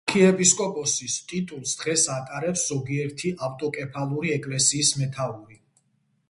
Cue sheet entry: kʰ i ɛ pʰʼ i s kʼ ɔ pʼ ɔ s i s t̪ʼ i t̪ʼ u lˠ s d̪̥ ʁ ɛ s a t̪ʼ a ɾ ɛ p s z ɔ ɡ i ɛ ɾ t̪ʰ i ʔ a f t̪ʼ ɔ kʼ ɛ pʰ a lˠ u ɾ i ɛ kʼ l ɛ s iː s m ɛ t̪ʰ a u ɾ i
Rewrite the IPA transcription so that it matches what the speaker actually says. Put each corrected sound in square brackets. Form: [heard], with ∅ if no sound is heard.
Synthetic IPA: kʰ i ɛ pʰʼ i s kʼ ɔ pʼ ɔ s i s t̪ʼ i t̪ʼ u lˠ s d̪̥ ʁ ɛ s a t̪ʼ a ɾ ɛ p s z ɔ ɡ i ɛ ɾ t̪ʰ i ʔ a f t̪ʼ ɔ kʼ ɛ pʰ a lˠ u ɾ i ɛ kʼ l ɛ s iː s m ɛ t̪ʰ a u ɾ i